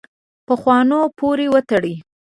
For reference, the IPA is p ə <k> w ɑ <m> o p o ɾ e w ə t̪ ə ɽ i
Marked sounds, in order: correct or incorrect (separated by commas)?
incorrect, incorrect